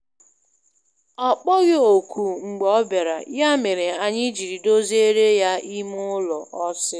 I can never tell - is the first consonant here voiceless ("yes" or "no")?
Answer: yes